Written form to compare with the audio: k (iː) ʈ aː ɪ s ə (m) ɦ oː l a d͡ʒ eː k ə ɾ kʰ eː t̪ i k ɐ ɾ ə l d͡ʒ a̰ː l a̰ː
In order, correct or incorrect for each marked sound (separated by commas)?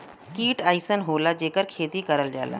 correct, incorrect